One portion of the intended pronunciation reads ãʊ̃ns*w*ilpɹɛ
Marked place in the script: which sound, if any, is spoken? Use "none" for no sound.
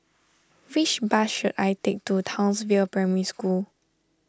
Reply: v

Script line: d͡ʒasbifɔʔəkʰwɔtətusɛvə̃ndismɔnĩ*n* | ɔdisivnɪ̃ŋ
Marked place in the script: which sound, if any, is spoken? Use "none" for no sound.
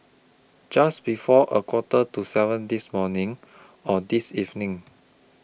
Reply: ŋ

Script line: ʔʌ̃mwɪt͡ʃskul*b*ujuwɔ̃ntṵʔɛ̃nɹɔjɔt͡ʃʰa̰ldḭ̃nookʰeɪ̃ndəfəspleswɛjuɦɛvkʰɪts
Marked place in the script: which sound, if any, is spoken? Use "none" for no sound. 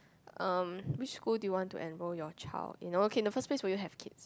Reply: d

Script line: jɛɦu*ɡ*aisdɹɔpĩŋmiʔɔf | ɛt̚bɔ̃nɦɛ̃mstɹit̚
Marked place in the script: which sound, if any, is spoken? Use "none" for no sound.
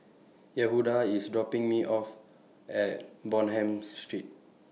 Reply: d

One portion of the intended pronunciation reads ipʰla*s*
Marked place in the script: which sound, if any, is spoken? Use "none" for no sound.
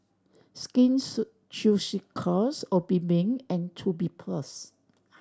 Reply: s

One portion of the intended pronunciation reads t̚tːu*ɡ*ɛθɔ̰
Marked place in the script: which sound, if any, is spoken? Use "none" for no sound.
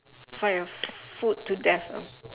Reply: d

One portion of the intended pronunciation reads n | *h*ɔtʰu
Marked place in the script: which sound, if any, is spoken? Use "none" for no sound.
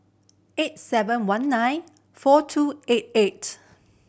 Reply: f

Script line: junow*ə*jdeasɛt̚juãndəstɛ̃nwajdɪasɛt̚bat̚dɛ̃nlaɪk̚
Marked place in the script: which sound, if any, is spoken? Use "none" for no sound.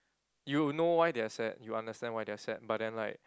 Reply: a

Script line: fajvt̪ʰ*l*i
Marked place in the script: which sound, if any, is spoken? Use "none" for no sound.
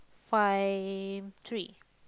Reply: ɹ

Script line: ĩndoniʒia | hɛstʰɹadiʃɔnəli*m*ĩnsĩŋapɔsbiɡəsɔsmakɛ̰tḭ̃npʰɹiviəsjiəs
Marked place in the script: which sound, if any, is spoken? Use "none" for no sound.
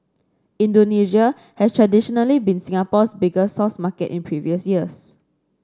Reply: b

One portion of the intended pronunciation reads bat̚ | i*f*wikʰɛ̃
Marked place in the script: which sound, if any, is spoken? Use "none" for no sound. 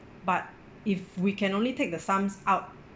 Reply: f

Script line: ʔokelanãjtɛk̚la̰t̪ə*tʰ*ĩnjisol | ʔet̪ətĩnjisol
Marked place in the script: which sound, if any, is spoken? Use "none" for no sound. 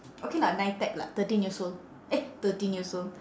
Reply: t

